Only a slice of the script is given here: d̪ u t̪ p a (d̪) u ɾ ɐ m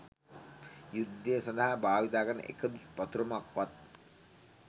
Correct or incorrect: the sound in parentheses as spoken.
incorrect: t̪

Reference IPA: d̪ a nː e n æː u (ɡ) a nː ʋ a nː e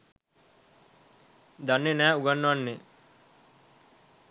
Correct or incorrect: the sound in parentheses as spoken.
correct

